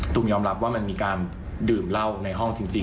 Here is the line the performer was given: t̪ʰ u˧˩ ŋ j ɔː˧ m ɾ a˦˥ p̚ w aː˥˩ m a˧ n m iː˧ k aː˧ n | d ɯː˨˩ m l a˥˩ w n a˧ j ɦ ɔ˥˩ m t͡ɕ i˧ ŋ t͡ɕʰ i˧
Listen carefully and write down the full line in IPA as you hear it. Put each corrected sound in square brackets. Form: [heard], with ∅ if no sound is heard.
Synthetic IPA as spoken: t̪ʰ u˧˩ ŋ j ɔː˧ m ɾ a˦˥ p̚ w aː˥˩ m a˧ n m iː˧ k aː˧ n | d ɯː˨˩ m l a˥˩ w n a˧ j ɦ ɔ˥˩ [ŋ] t͡ɕ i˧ ŋ [t͡ɕ] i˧